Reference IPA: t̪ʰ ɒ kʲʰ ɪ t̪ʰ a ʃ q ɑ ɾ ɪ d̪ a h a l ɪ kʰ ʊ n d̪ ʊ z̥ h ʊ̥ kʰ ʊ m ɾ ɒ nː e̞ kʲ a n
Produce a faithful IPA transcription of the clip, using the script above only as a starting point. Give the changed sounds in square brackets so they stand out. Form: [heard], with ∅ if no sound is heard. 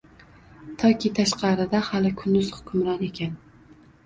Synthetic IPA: t̪ʰ ɒ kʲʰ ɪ t̪ʰ a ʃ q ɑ ɾ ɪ d̪ a h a l ɪ kʰ ʊ n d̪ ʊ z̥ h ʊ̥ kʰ ʊ m ɾ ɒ [n] e̞ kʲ a n